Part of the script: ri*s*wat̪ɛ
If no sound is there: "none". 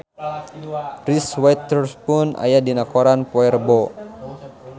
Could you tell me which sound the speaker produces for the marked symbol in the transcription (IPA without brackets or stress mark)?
s